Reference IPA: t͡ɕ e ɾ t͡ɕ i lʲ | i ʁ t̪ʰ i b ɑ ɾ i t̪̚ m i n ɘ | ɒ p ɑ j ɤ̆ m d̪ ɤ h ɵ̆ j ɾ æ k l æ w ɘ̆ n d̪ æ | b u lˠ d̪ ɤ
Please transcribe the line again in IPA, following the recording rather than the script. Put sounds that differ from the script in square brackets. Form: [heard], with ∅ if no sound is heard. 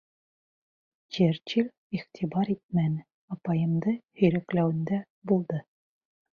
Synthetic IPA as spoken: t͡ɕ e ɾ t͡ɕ i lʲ | i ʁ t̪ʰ i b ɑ ɾ i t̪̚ m [æ] n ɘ | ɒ p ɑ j ɤ̆ m d̪ ɤ h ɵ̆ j ɾ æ k l æ w ɘ̆ n d̪ æ | b u lˠ d̪ ɤ